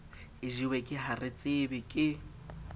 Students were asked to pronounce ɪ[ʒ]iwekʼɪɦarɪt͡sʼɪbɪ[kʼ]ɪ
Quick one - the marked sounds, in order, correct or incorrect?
correct, correct

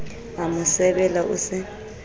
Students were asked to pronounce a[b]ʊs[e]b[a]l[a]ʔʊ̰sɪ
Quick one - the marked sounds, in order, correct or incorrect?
incorrect: m, incorrect: ɛ, incorrect: ɛ, correct

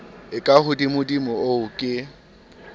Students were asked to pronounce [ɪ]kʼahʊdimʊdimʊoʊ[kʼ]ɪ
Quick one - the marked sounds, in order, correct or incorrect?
correct, correct

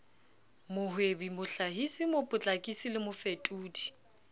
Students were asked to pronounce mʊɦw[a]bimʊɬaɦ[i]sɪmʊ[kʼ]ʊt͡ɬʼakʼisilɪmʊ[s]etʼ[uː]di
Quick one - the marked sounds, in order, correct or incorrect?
incorrect: e, correct, incorrect: pʼ, incorrect: f, correct

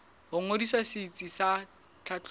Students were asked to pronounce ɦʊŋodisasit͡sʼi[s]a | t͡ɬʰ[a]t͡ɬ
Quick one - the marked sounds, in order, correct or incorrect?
correct, correct

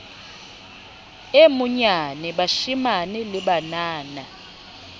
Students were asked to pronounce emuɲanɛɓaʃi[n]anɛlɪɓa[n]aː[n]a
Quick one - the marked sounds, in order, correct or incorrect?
incorrect: m, correct, correct

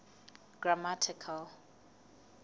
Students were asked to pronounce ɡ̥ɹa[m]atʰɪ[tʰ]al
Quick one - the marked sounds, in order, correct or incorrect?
correct, incorrect: kʰ

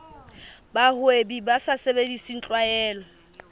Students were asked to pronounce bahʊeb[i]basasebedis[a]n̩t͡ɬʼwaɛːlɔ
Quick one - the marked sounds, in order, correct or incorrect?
correct, incorrect: i

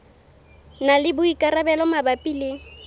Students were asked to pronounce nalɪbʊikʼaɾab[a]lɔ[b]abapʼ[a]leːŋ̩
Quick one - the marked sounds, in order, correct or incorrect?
incorrect: ɛ, incorrect: m, incorrect: i

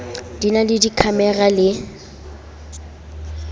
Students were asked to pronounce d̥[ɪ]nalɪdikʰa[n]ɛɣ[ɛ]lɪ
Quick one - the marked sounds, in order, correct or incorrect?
incorrect: i, incorrect: m, incorrect: a

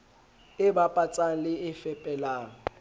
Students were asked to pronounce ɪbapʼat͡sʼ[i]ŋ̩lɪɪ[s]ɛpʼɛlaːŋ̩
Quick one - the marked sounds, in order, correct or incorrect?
incorrect: a, incorrect: f

